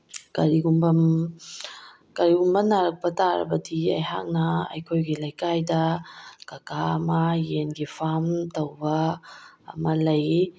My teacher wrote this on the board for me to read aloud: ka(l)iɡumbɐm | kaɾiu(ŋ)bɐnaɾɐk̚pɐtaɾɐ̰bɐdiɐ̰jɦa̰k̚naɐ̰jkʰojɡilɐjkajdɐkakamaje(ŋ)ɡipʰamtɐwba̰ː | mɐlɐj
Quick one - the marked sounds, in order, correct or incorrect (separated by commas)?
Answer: incorrect, incorrect, incorrect